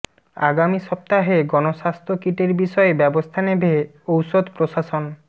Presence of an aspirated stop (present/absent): present